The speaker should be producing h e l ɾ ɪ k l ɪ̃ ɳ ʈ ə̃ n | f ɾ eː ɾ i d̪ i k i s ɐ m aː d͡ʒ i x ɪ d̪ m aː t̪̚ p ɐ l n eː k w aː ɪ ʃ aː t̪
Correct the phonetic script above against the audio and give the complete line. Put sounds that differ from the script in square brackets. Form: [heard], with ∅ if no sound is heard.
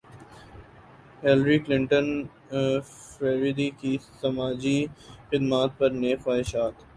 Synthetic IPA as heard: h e l ɾ [i] k l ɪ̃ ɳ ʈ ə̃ n | f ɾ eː ɾ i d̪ i k i s ɐ m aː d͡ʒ i x ɪ d̪ m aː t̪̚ p ɐ [ɾ] n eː [x] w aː ɪ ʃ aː t̪